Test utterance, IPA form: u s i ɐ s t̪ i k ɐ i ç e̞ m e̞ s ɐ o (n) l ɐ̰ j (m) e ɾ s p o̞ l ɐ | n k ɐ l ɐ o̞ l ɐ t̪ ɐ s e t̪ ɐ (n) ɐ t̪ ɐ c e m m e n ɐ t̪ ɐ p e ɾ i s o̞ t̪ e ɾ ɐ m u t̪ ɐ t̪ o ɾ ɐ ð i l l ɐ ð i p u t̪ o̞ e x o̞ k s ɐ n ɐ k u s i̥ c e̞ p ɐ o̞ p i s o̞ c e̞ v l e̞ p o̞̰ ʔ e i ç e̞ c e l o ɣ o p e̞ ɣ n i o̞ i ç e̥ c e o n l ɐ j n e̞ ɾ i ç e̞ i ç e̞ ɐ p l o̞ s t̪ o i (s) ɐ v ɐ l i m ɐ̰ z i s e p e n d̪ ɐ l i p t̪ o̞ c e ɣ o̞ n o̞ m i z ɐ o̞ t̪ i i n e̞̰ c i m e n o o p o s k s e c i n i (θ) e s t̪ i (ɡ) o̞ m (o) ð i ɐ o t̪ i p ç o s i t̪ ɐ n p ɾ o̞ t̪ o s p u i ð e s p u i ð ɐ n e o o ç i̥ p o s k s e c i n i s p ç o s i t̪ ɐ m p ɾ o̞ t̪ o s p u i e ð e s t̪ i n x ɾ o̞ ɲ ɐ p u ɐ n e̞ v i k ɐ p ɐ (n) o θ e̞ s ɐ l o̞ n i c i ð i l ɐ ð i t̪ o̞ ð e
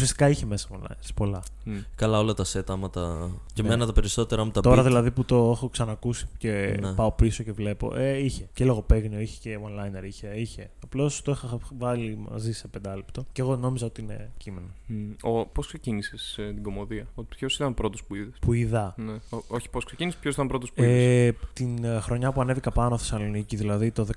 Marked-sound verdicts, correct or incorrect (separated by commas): correct, incorrect, incorrect, incorrect, incorrect, correct, correct, correct